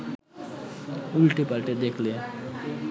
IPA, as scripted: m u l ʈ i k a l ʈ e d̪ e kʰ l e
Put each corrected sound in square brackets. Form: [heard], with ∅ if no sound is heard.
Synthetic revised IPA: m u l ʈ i [p] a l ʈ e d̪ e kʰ l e